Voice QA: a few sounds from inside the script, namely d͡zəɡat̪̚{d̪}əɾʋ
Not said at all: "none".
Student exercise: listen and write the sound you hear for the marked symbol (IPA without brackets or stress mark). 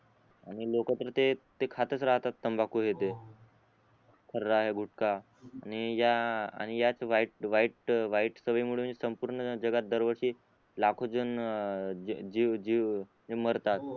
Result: d̪